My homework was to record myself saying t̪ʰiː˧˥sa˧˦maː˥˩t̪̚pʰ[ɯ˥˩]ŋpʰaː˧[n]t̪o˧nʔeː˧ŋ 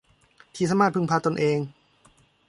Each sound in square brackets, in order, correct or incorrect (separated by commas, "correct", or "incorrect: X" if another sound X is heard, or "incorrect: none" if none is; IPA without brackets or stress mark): incorrect: ɯ˧, incorrect: none